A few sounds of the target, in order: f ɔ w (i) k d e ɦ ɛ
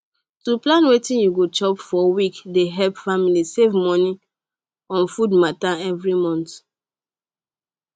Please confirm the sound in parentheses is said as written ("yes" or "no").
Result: yes